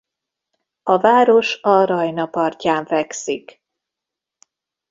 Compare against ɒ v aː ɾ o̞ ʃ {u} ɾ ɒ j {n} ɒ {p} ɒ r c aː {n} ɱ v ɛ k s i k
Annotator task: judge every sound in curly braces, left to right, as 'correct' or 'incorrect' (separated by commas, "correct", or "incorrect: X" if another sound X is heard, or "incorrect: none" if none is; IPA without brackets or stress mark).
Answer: incorrect: ɒ, correct, correct, incorrect: none